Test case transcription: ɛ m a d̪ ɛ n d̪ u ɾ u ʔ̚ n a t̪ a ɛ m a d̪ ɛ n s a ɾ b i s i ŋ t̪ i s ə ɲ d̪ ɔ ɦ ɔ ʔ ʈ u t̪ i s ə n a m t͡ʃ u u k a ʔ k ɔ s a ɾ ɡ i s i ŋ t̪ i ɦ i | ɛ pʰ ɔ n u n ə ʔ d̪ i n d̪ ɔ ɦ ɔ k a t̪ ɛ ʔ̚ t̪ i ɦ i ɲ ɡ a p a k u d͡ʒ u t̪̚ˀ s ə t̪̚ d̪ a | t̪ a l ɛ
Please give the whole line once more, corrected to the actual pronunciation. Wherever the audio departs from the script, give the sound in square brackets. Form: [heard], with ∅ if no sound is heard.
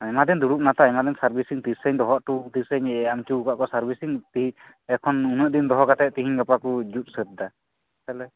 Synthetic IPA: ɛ m a d̪ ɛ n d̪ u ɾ u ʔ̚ n a t̪ a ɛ m a d̪ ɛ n s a ɾ b i s i ŋ t̪ i s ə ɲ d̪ ɔ ɦ ɔ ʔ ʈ u t̪ i s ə [ɲ] a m t͡ʃ u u k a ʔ k ɔ s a ɾ [b] i s i ŋ t̪ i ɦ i | ɛ [kʰ] ɔ n u n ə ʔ d̪ i n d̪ ɔ ɦ ɔ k a t̪ ɛ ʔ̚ t̪ i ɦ i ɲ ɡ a p a k u d͡ʒ u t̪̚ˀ s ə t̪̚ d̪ a | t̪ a l ɛ